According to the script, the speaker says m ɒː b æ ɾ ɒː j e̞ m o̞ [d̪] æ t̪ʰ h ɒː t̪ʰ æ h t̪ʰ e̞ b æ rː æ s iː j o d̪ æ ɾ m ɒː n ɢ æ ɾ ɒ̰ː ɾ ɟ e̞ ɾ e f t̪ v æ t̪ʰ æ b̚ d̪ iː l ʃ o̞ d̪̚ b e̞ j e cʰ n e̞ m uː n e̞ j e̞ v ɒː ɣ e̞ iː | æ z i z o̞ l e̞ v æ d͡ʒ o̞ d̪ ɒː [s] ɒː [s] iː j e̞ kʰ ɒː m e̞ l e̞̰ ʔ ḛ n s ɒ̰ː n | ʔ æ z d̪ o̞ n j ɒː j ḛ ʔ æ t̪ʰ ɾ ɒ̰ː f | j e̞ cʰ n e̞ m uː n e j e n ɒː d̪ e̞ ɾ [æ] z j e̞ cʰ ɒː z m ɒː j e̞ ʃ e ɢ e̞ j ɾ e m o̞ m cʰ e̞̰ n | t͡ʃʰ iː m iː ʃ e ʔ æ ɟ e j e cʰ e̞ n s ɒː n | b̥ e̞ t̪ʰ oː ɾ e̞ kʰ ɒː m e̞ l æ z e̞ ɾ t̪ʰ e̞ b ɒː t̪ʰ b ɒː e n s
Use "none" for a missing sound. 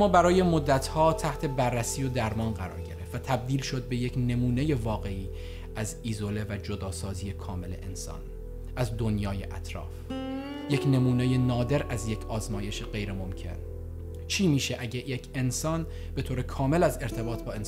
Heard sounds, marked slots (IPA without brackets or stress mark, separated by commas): d̪ː, s, z, æ